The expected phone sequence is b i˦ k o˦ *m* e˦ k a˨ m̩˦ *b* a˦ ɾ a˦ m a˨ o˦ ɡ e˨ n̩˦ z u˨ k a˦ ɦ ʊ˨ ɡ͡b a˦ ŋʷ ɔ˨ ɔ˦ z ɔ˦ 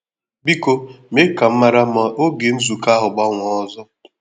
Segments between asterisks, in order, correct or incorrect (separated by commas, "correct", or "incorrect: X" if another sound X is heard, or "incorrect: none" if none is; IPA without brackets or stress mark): correct, incorrect: m